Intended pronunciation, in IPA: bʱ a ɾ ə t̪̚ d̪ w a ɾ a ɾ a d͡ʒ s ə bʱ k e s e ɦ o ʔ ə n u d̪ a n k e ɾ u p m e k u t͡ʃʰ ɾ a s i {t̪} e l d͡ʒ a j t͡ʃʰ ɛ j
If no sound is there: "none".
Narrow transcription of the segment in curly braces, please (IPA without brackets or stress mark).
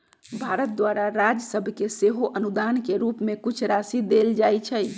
d̪